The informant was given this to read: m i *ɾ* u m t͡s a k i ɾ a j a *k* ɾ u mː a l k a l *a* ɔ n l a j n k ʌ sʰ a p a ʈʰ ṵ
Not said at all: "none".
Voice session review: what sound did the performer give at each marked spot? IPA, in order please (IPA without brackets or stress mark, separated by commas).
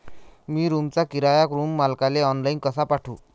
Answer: ɾ, k, e